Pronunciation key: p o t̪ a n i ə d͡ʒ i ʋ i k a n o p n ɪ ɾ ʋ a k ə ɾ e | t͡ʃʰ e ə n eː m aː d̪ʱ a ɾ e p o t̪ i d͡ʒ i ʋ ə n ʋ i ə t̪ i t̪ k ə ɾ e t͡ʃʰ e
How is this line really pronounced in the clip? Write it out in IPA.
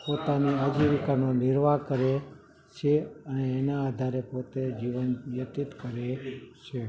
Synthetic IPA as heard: p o t̪ a n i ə d͡ʒ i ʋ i k a n o n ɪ ɾ ʋ a k ə ɾ e | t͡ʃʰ e ə n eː n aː d̪ʱ a ɾ e p o t̪ e d͡ʒ i ʋ ə n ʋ j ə t̪ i t̪ k ə ɾ e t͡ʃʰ e